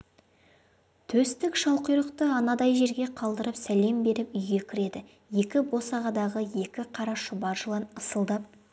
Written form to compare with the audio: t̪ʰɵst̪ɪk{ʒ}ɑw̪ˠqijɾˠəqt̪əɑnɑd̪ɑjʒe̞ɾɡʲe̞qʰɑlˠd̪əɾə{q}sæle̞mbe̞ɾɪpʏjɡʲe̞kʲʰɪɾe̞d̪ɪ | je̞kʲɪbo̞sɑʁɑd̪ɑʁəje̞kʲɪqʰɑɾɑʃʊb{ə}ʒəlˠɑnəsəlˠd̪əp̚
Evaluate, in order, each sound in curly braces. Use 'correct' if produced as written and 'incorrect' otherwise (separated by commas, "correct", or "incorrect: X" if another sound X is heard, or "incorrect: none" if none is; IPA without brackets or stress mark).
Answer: incorrect: ʃ, incorrect: p, incorrect: ɑ